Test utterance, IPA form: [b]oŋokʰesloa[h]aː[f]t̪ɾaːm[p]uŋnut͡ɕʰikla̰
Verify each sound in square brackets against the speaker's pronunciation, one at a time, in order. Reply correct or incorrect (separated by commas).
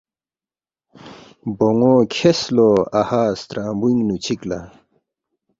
correct, correct, incorrect, incorrect